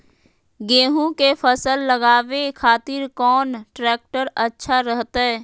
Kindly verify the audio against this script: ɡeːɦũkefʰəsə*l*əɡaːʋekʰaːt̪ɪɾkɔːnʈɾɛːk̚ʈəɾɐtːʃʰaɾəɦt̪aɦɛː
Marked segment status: incorrect: lː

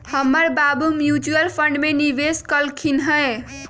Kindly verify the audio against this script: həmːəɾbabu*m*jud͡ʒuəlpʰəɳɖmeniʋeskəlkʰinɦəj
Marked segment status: correct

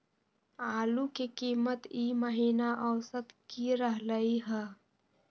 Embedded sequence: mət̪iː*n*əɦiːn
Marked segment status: incorrect: m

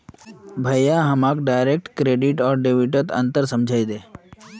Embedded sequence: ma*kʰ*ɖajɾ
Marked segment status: incorrect: k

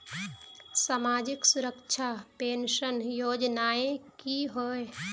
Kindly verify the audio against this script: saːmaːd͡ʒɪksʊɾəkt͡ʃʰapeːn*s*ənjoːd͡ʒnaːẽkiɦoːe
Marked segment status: incorrect: ʃ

